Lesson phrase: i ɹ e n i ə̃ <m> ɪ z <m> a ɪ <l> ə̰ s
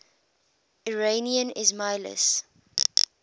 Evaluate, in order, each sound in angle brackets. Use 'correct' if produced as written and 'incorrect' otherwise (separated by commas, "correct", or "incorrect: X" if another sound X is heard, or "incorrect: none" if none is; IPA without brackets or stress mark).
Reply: incorrect: n, correct, correct